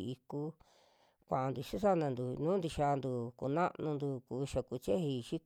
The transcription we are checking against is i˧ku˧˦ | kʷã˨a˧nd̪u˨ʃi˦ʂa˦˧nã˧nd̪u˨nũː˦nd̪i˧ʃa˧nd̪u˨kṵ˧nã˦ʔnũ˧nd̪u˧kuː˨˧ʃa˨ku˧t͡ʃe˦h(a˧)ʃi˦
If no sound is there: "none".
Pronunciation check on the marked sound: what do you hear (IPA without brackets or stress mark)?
i˧